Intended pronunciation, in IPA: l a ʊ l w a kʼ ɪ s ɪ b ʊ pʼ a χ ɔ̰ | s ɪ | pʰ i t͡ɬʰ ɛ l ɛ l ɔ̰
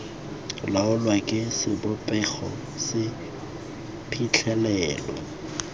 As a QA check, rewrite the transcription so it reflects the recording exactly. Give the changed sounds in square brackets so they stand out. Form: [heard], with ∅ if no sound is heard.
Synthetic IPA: l a ʊ l w a kʼ ɪ s ɪ b ʊ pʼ [ɛ] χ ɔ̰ | s ɪ | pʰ i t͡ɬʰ ɛ l [ɛː] l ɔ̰